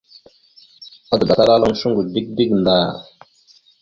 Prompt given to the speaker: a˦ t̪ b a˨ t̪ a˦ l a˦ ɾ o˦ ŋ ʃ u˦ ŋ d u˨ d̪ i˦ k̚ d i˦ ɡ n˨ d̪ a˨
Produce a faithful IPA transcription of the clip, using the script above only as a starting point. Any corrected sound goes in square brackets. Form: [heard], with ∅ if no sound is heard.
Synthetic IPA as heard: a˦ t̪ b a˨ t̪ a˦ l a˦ [l] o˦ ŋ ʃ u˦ ŋ [ɡ] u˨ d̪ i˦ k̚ d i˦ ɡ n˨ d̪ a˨